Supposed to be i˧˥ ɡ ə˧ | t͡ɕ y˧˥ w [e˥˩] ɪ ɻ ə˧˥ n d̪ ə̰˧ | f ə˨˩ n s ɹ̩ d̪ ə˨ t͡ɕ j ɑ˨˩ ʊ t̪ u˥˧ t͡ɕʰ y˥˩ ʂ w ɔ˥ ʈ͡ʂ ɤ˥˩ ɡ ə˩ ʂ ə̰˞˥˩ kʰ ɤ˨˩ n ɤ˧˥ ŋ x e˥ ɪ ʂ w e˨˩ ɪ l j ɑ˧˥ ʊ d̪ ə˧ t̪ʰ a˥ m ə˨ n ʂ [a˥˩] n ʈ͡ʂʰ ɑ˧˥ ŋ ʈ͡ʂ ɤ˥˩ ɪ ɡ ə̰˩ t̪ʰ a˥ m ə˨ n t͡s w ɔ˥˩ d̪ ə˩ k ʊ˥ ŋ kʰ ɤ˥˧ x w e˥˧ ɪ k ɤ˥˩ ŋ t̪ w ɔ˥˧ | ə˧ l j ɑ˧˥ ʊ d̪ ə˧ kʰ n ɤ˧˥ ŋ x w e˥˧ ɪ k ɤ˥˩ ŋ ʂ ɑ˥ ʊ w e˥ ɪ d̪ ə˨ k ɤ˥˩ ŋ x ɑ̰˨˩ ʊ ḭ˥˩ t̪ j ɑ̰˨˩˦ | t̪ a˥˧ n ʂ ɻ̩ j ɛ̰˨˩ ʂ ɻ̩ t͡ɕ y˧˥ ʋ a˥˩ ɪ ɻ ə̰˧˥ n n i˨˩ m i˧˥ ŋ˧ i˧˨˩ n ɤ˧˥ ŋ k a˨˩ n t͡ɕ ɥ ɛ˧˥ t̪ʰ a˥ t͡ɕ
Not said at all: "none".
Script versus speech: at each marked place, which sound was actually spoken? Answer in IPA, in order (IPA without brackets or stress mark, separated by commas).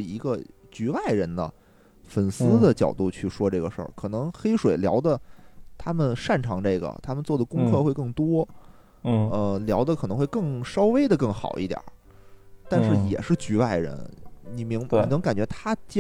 a˥˩, a˥˩